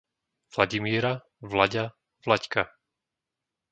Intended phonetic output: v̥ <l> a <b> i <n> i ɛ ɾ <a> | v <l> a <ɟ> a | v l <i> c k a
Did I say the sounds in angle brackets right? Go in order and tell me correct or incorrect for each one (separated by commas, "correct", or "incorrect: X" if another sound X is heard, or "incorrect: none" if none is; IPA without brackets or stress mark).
correct, incorrect: ɟ, incorrect: m, correct, correct, correct, incorrect: a